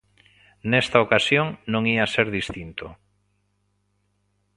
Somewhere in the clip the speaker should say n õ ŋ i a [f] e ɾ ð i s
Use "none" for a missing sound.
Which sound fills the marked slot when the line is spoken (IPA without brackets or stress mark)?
s